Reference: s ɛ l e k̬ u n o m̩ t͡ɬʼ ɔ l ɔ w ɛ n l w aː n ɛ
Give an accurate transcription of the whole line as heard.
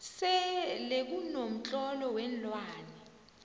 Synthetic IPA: s ɛ l e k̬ u n o m̩ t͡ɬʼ ɔ l ɔ w ɛ n l w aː n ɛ